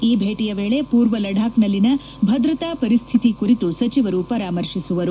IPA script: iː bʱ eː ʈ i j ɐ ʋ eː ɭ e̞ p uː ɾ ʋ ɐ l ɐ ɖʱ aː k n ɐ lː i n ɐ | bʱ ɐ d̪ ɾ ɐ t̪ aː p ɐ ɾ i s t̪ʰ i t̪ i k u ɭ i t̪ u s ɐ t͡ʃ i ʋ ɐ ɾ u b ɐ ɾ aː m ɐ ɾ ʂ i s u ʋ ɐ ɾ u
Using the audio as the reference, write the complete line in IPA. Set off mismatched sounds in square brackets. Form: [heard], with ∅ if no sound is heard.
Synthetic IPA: iː bʱ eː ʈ i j ɐ ʋ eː ɭ e̞ p uː ɾ ʋ ɐ l ɐ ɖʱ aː k n ɐ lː i n ɐ | bʱ ɐ d̪ ɾ ɐ t̪ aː p ɐ ɾ i s t̪ʰ i t̪ i k u [ɾ] i t̪ u s ɐ t͡ʃ i ʋ ɐ ɾ u [p] ɐ ɾ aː m ɐ ɾ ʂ i s u ʋ ɐ ɾ u